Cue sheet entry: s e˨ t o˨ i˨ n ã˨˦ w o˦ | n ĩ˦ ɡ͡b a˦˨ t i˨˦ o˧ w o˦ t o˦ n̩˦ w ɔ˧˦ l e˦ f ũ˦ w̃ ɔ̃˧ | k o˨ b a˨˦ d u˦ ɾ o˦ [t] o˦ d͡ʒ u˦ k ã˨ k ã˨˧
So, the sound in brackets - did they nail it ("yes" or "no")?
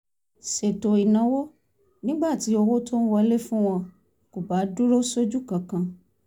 no